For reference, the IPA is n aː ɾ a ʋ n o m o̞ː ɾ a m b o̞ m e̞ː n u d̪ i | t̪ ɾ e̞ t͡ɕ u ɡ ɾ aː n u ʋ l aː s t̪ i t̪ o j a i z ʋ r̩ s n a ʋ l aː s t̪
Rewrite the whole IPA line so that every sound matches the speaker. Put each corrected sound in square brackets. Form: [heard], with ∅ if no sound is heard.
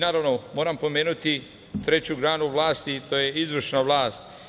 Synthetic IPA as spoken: n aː ɾ a ʋ n o m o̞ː ɾ a m [p] o̞ m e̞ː n u [t̪] i | t̪ ɾ e̞ t͡ɕ u ɡ ɾ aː n u ʋ l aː s t̪ i t̪ o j [e] i z ʋ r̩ [ʃ] n a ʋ l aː s t̪